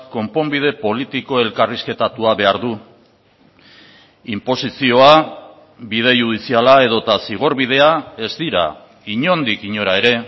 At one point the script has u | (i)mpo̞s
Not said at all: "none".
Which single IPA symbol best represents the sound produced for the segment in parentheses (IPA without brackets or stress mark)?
i